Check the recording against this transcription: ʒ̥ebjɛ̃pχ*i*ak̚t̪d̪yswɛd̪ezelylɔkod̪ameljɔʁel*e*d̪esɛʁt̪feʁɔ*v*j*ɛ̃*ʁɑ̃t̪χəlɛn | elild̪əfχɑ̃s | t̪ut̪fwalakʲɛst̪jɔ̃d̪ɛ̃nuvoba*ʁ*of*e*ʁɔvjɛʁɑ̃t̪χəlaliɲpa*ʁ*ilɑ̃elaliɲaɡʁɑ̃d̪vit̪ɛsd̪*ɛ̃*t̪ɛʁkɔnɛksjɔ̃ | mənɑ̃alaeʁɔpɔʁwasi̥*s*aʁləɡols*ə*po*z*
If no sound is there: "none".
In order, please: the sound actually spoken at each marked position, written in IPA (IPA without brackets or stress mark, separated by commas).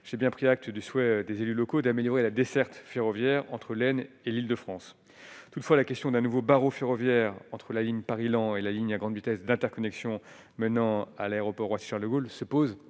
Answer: i, a, v, ɛ, ʁ, e, ʁ, ɛ̃, ʃ, ə, z